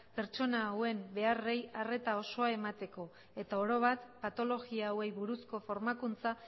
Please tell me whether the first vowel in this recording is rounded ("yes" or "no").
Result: no